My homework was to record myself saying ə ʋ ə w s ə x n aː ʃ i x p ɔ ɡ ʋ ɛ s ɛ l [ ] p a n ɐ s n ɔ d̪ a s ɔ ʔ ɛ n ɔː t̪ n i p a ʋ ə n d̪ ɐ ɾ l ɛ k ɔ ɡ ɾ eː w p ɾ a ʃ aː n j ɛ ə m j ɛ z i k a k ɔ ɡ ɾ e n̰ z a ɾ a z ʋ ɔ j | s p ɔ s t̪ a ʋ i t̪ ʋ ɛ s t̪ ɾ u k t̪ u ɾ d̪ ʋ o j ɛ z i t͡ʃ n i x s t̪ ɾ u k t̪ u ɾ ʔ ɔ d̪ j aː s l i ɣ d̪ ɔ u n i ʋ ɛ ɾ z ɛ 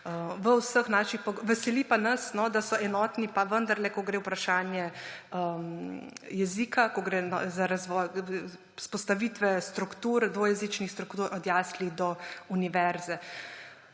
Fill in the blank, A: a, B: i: B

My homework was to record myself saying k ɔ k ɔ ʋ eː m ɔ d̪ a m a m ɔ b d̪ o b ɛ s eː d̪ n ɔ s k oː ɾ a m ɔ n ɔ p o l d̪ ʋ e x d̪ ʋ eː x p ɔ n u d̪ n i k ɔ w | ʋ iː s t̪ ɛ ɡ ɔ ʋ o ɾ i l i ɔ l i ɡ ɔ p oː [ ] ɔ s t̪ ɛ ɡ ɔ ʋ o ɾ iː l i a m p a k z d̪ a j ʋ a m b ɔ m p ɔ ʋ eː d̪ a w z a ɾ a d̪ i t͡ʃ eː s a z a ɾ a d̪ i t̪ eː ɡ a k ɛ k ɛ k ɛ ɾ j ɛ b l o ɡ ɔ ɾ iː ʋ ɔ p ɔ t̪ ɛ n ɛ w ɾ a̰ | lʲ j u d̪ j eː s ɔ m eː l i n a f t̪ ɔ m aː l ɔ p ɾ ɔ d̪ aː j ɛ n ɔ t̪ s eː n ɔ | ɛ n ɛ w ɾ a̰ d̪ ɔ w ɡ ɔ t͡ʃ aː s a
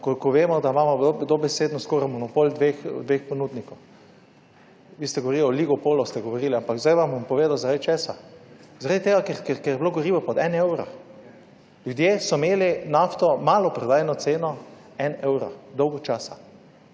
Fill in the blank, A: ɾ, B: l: B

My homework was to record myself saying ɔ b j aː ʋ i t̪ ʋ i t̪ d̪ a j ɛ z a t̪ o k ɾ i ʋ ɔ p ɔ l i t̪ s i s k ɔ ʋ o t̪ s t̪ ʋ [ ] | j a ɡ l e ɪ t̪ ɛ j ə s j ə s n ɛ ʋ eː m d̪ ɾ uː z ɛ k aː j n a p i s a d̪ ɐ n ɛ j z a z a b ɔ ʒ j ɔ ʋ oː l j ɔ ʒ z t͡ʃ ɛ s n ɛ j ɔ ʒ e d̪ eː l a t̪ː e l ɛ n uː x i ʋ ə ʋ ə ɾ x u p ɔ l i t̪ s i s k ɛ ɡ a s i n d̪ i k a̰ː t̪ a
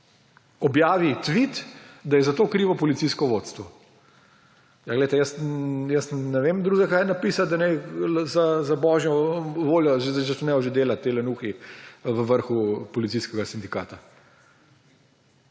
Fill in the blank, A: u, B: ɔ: B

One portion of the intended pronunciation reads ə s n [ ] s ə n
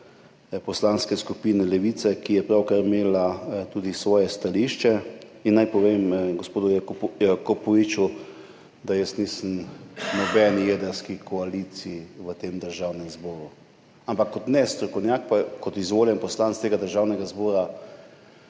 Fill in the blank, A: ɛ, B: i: B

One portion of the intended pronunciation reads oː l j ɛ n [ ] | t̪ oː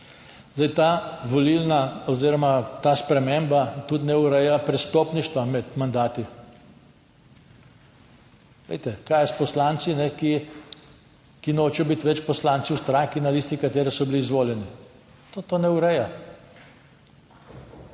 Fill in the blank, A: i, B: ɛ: A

